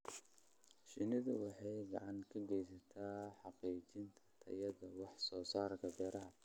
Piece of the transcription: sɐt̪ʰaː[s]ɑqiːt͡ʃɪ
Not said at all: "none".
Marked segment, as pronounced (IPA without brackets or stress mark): ħ